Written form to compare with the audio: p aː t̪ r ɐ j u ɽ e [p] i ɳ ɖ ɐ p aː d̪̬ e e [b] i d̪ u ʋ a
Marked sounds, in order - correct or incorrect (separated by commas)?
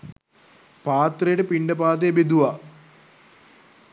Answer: correct, correct